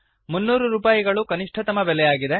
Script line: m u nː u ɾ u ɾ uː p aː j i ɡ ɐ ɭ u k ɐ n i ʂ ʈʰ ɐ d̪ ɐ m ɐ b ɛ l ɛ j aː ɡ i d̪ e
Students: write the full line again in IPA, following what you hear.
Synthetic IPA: m u nː uː ɾ u ɾ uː p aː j i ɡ ɐ ɭ u k ɐ n i ʂ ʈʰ ɐ t̪ ɐ m ɐ b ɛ l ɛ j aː ɡ i d̪ e